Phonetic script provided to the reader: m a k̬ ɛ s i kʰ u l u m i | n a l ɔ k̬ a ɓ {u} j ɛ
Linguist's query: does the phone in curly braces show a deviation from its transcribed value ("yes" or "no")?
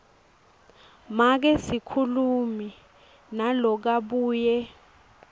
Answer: yes